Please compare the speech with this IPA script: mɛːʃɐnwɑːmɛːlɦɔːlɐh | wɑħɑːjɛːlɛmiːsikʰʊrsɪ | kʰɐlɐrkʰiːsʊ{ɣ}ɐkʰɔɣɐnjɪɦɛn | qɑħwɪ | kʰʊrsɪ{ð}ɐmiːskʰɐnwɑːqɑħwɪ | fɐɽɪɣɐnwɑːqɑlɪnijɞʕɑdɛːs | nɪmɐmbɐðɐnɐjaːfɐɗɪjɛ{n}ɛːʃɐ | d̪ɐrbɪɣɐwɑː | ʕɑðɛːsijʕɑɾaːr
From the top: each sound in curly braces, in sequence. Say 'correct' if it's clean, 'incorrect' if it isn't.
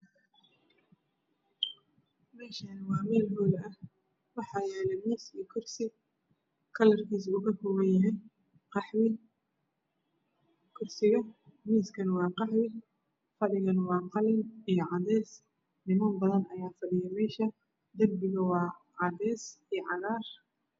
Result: correct, incorrect: ɣ, incorrect: m

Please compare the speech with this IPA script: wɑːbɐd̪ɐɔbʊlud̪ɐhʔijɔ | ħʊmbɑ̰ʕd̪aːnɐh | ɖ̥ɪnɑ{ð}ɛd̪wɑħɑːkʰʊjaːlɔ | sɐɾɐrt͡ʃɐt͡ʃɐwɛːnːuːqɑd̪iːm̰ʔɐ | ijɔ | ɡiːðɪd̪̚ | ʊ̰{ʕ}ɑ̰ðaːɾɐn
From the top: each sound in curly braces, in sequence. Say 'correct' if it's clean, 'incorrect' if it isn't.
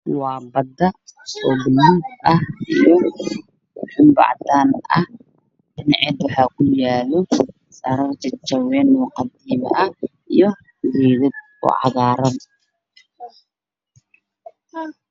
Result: incorrect: ʕ, correct

